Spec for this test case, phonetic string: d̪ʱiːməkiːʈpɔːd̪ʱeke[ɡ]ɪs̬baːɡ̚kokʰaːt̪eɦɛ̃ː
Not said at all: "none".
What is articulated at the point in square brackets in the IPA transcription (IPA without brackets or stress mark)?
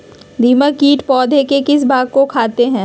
k